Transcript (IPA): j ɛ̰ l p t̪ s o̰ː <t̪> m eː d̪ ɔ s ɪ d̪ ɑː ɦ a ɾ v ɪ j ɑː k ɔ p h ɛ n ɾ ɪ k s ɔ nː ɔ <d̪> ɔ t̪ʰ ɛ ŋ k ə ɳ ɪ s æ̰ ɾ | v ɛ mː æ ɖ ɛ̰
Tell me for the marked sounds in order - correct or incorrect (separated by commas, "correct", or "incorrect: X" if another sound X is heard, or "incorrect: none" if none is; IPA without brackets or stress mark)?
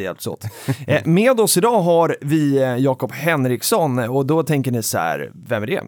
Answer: correct, correct